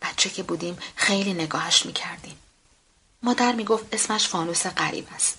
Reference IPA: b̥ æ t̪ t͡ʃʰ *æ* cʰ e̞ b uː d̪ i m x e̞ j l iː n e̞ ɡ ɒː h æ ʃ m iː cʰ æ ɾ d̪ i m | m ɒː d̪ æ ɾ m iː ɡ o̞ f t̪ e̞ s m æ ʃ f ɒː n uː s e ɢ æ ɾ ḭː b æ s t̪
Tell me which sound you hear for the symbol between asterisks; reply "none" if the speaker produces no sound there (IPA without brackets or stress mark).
e